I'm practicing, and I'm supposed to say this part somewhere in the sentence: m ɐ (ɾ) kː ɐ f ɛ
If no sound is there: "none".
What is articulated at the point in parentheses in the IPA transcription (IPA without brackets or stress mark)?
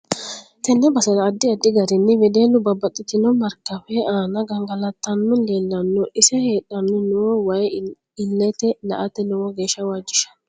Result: ɾ